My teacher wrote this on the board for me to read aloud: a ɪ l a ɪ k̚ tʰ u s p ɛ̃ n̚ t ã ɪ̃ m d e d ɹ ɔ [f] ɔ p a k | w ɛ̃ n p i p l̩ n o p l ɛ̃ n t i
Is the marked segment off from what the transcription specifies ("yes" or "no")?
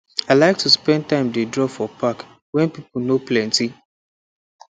no